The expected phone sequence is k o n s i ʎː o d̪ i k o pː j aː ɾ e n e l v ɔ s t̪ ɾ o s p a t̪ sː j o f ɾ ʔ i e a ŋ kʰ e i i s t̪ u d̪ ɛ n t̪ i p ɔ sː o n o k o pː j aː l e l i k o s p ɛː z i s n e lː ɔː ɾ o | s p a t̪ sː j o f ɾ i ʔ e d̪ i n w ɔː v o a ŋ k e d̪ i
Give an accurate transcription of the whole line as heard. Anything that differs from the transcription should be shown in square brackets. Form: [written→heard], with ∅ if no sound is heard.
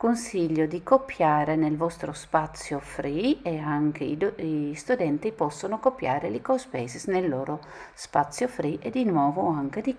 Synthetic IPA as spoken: k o n s i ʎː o d̪ i k o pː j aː ɾ e n e l v ɔ s t̪ ɾ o s p a t̪ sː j o f ɾ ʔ i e a ŋ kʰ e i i s t̪ u d̪ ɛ n t̪ i p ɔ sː o n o k o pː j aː [l→ɾ] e l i k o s p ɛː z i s n e lː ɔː ɾ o | s p a t̪ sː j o f ɾ i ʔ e d̪ i n w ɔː v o a ŋ k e d̪ i